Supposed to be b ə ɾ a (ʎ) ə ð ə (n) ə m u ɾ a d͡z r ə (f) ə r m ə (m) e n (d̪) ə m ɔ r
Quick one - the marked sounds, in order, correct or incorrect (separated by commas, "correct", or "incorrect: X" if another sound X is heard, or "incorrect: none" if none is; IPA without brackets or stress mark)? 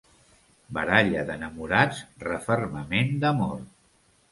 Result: correct, correct, correct, correct, correct